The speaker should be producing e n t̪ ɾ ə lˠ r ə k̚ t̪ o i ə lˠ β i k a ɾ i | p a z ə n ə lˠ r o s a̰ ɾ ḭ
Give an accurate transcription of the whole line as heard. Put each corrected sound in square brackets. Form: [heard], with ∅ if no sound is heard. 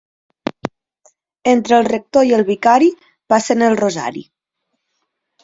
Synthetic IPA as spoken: e n t̪ ɾ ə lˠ r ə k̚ t̪ o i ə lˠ β i k a ɾ i | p a [s] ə n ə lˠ r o [z] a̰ ɾ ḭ